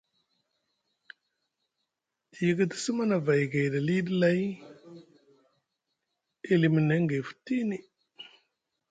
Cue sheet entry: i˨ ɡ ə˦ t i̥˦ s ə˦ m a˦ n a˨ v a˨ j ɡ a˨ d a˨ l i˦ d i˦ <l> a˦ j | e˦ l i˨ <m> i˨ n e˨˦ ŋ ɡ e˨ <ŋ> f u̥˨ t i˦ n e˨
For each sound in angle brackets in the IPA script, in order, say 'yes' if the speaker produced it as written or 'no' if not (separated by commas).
yes, yes, no